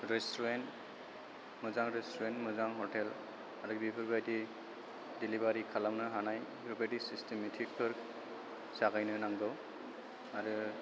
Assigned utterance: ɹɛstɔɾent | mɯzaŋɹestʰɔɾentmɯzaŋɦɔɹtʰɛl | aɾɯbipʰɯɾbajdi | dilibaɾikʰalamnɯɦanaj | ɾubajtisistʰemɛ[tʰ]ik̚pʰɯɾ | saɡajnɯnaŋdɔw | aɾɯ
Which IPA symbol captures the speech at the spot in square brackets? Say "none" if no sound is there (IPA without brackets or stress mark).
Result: tʰ